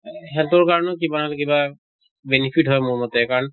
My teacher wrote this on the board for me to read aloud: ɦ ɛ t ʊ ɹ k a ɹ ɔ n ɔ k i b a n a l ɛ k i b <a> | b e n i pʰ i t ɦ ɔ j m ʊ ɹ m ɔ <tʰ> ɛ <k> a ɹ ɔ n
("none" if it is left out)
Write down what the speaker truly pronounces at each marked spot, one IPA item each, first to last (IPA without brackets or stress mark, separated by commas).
a, t, k